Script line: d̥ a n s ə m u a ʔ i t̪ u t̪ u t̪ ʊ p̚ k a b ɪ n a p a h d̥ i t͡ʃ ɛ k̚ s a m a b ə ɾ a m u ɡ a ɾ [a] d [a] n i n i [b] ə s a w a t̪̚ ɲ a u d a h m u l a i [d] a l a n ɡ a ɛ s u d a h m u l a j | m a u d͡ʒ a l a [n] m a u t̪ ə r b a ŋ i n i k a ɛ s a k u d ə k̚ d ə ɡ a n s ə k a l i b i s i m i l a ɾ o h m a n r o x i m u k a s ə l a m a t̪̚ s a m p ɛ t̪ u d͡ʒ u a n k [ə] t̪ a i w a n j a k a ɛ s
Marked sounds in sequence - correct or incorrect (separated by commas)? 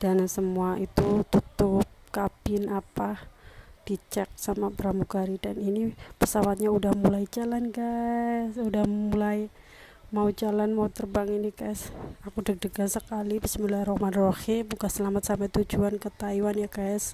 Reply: incorrect, correct, incorrect, incorrect, correct, correct